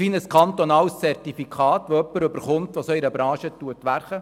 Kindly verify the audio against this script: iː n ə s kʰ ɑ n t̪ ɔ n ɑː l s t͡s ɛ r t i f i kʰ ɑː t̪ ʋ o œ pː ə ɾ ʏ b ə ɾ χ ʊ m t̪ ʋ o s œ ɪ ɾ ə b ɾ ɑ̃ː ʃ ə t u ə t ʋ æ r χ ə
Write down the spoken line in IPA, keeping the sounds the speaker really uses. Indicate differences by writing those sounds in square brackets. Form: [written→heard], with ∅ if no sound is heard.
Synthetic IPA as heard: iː n ə s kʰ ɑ n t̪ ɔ n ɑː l s t͡s ɛ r t i f i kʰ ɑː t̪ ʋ o œ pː ə ɾ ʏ b ə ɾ χ ʊ m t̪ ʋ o s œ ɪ ɾ ə b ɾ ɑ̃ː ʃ ə t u ə t ʋ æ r χ ə